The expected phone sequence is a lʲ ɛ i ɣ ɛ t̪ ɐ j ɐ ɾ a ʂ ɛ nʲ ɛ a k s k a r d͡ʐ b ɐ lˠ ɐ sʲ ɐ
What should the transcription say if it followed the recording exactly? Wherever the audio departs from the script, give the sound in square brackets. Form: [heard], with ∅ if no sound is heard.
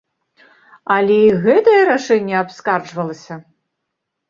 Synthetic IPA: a lʲ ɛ i ɣ ɛ t̪ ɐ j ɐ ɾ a ʂ ɛ [nʲː] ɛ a [p] s k a r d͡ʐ [v] ɐ lˠ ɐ sʲ ɐ